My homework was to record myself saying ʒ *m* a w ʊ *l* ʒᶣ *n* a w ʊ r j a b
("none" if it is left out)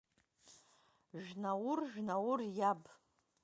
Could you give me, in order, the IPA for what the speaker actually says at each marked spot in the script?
n, r, n

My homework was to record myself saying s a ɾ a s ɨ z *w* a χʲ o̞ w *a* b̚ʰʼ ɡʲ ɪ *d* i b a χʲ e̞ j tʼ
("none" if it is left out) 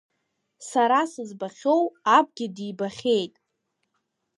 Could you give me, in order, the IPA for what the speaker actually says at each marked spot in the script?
b, a, d

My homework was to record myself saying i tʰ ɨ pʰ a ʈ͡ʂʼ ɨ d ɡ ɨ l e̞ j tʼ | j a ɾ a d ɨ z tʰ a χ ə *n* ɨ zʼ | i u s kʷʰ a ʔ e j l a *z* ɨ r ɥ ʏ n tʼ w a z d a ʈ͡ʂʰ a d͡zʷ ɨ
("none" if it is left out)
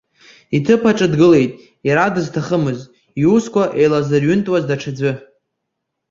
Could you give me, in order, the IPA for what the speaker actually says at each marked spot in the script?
m, z

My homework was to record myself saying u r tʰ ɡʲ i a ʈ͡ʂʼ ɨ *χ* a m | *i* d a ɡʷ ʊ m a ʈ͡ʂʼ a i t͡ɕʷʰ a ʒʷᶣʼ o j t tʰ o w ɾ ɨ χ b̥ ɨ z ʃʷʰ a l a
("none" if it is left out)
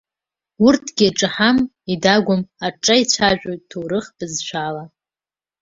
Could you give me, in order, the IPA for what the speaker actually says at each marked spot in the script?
ħ, i

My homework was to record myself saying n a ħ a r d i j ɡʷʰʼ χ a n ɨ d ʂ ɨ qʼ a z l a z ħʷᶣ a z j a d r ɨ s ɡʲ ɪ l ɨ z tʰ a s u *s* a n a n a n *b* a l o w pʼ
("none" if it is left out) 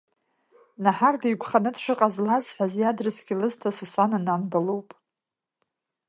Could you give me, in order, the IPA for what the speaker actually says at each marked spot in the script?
s, b

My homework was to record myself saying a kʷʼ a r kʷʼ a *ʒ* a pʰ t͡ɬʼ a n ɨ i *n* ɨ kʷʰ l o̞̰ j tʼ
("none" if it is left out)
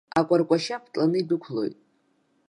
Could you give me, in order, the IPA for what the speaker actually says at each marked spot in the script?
ʃ, d

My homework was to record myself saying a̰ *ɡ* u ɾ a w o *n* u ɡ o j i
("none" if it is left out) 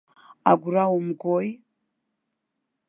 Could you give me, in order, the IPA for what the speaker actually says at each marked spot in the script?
ɡ, m

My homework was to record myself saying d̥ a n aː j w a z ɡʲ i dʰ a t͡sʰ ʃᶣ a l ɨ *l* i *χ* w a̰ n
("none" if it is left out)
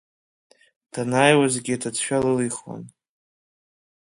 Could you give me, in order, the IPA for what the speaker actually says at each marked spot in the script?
l, χ

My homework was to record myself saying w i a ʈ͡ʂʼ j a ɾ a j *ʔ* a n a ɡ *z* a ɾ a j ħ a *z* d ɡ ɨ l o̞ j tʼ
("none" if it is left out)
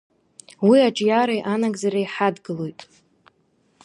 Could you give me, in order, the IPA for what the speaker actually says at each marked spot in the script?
ʔ, z, none

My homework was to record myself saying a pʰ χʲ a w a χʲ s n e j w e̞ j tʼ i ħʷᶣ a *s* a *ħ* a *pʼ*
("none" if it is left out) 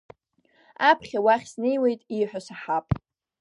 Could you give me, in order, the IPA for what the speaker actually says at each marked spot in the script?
s, ħ, pʼ

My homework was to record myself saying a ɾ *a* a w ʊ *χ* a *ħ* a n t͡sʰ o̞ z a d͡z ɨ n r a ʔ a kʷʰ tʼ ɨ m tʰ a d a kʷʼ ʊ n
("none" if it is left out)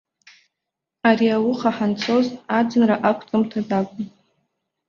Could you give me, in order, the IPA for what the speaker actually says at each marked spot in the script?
i, χ, ħ

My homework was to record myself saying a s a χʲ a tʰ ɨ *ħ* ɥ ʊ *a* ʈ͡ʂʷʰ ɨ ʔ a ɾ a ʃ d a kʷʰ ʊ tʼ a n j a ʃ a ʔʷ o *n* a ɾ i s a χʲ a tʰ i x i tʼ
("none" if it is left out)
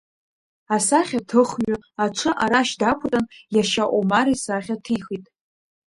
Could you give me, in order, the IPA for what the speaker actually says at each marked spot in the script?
χ, a, m

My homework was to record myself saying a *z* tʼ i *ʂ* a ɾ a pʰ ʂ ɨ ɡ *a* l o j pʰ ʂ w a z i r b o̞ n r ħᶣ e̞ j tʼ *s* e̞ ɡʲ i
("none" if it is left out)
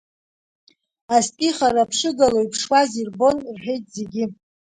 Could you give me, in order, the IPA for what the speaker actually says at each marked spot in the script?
s, χ, a, z

